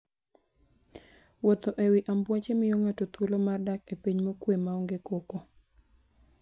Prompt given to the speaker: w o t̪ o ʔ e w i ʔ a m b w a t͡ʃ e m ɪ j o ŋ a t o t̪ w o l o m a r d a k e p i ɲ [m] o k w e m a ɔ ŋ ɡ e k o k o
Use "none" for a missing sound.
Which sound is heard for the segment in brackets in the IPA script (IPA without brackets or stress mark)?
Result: m